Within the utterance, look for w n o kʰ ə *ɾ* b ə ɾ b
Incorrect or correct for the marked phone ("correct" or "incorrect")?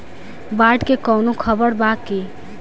incorrect